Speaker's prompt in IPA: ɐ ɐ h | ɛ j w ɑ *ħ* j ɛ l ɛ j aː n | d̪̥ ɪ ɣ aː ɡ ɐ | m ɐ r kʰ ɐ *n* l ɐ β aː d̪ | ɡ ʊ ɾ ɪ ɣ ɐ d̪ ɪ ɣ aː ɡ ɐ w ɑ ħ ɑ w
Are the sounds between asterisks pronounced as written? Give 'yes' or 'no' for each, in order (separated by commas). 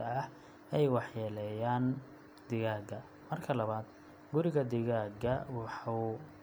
yes, no